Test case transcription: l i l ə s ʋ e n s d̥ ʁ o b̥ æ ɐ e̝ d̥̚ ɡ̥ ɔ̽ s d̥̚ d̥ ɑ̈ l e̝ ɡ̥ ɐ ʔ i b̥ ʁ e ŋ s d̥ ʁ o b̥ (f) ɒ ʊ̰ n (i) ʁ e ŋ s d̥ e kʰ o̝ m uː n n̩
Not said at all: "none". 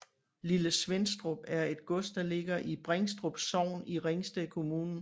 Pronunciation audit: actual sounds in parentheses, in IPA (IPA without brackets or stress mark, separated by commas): s, i